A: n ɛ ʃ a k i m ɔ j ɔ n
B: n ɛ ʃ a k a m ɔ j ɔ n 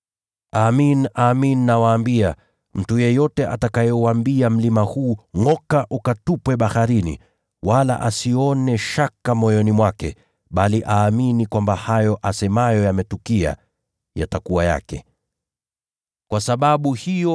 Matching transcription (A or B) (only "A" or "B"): B